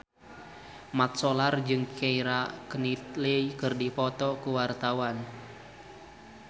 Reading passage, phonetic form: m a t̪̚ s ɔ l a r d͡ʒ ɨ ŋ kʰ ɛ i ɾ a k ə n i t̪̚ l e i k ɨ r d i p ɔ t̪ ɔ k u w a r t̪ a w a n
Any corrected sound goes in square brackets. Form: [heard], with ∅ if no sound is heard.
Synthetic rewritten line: m a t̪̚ s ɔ l a r d͡ʒ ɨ ŋ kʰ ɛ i ɾ a k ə n i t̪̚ l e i k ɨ r d i p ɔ t̪ ɔ k u w a r t̪ a w a n